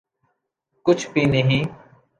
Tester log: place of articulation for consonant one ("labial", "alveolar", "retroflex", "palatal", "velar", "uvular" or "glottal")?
velar